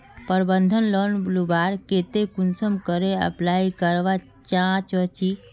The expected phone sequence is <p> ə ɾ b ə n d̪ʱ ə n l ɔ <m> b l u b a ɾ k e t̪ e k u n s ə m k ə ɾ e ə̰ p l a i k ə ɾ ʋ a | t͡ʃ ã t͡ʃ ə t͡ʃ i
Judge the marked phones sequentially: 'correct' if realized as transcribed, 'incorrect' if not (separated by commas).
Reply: correct, incorrect